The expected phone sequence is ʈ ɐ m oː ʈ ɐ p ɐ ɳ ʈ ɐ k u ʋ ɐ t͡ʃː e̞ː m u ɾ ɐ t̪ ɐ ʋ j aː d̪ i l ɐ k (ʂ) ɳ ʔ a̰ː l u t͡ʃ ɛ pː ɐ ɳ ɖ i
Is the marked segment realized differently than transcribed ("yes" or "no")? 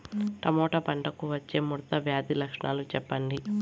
no